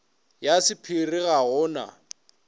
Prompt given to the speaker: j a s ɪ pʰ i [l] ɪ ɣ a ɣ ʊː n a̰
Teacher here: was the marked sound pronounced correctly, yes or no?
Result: no